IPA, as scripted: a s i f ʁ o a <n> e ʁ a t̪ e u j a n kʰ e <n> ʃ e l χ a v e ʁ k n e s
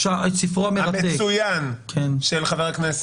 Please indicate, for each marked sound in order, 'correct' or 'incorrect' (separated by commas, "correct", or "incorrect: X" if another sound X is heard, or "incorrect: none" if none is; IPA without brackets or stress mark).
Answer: incorrect: m, correct